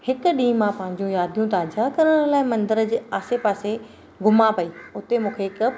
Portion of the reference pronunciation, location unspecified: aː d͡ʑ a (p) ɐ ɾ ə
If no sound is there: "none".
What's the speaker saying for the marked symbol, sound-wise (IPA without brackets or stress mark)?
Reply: k